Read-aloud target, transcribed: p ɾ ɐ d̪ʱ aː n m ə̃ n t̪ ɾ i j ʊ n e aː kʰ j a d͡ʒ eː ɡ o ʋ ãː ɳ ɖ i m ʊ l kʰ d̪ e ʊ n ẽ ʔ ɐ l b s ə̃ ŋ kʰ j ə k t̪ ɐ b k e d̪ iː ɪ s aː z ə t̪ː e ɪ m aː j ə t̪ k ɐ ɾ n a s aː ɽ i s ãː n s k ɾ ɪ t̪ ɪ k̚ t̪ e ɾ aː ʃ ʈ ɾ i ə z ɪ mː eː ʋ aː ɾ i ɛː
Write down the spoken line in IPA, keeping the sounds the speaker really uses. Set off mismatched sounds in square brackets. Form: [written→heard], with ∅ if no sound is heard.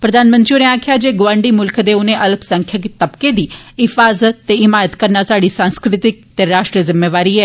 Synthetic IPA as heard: p ɾ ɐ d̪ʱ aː n m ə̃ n t̪ ɾ i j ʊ n e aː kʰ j a d͡ʒ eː ɡ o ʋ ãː ɳ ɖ i m ʊ l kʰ d̪ e ʊ n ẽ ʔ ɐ l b s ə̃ ŋ kʰ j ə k t̪ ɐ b k e d̪ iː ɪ [s→f] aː z ə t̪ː e ɪ m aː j ə t̪ k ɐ ɾ n a s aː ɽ i s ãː n s k ɾ ɪ t̪ ɪ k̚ t̪ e ɾ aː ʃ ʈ ɾ i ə z ɪ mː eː ʋ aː ɾ i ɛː